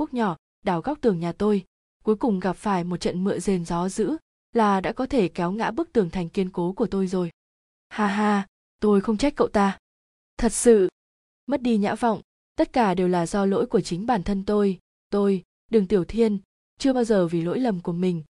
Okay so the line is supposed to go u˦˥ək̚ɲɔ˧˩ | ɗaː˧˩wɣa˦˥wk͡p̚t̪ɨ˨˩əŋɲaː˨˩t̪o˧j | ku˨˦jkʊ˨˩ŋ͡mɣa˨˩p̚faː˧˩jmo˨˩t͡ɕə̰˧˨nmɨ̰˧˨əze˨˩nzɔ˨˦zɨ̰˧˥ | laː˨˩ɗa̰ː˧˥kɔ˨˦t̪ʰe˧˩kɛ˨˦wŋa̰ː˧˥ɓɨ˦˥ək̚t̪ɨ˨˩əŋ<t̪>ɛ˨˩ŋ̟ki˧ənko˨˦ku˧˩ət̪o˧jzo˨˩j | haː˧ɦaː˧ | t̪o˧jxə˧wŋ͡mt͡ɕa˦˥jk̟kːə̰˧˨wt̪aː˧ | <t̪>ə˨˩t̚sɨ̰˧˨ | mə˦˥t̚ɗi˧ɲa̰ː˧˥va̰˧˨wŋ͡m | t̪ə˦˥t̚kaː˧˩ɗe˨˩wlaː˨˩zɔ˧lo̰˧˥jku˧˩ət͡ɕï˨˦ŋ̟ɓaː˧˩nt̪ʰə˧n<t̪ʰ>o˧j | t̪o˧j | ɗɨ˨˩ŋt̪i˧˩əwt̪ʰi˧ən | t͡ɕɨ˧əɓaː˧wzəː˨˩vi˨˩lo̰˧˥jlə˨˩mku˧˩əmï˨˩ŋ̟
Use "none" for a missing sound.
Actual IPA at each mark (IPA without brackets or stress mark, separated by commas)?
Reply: t̪ʰ, t̪ʰ, t̪